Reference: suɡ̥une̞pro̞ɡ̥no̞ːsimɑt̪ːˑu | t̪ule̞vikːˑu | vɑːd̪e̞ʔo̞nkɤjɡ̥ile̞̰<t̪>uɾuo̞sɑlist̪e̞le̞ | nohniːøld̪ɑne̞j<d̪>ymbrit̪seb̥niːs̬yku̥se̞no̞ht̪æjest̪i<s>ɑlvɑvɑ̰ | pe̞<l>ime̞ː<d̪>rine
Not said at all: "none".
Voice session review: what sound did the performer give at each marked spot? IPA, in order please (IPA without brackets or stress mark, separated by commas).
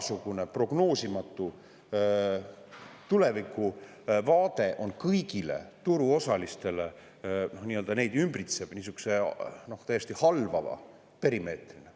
t̪, d̪, h, ɾ, t̪